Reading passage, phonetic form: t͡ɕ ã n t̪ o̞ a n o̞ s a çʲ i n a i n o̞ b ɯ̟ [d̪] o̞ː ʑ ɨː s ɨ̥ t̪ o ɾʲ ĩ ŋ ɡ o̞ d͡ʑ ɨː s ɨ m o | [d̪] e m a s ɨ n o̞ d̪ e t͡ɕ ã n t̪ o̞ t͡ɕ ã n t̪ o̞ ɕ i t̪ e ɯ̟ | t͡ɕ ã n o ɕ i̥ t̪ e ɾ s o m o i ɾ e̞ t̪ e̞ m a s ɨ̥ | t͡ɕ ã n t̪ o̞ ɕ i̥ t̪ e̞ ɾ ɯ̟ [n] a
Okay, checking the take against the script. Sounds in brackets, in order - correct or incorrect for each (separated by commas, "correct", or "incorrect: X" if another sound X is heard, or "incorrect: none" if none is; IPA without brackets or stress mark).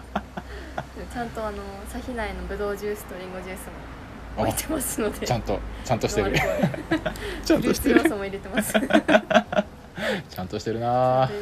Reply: correct, incorrect: t̪, correct